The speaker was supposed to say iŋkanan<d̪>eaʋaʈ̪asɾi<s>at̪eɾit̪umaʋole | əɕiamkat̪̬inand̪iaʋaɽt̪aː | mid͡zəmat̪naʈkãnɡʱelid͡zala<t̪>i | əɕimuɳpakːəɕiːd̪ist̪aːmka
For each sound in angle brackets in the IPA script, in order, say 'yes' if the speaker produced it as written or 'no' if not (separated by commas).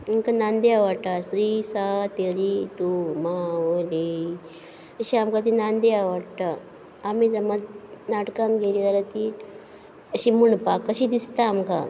yes, yes, yes